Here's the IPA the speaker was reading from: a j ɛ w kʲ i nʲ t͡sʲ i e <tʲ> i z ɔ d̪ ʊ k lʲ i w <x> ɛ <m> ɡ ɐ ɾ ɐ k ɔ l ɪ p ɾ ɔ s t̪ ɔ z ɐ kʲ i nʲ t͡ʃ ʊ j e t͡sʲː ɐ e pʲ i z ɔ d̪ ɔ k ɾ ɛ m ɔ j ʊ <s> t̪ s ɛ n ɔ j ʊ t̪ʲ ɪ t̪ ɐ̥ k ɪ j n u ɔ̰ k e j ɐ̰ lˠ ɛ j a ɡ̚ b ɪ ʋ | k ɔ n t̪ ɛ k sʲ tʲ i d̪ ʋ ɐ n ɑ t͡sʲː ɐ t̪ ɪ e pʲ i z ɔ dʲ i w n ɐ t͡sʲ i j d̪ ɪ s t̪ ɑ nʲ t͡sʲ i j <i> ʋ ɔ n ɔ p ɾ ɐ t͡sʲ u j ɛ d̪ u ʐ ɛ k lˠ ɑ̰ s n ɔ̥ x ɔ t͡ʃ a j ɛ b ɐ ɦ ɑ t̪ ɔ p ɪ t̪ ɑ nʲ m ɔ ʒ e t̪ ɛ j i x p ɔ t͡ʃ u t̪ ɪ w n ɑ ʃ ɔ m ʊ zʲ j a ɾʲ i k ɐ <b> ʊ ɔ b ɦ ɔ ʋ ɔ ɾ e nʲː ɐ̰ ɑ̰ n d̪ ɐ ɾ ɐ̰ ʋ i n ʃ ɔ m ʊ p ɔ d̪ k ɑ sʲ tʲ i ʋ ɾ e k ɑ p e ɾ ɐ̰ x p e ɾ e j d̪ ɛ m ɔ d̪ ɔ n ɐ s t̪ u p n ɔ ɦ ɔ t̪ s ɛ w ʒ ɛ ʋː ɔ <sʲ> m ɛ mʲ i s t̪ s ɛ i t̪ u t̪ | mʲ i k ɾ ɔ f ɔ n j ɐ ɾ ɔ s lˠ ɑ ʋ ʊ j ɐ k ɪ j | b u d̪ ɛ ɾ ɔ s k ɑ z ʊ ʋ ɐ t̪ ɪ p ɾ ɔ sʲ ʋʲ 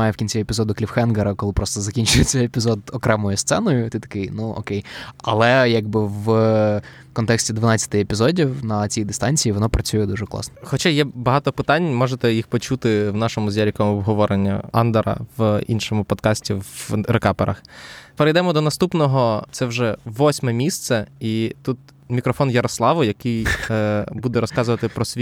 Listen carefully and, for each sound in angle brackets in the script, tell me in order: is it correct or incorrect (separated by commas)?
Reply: incorrect, correct, incorrect, correct, correct, incorrect, correct